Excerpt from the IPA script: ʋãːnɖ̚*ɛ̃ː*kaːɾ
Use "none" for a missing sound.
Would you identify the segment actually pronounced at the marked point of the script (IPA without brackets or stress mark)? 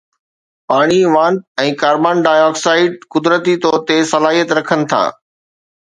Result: ɛ̃ː